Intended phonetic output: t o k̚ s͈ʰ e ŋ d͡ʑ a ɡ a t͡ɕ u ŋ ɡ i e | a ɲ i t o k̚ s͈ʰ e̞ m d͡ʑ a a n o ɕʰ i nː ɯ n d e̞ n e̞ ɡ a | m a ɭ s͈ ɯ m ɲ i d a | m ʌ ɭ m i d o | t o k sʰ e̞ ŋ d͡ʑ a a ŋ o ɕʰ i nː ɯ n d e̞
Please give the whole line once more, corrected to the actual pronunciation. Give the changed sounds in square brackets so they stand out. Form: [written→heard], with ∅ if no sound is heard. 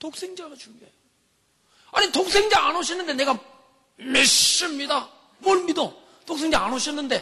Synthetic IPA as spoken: t o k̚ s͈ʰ e ŋ d͡ʑ a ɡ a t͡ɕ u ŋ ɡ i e | a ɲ i t o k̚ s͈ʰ e̞ [m→ŋ] d͡ʑ a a n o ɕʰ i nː ɯ n d e̞ n e̞ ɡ a | m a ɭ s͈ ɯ m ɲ i d a | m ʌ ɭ m i d o | t o k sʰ e̞ ŋ d͡ʑ a a [ŋ→n] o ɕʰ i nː ɯ n d e̞